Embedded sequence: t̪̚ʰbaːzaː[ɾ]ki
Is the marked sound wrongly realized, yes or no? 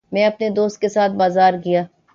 no